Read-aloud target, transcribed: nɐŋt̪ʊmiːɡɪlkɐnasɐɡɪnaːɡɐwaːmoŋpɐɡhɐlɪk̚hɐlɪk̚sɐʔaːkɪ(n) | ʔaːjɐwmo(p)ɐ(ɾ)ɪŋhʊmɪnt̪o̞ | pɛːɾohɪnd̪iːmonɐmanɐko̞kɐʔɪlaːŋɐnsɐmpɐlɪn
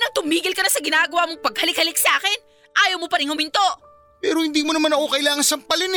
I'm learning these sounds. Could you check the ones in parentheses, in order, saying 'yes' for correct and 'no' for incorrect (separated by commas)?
yes, yes, yes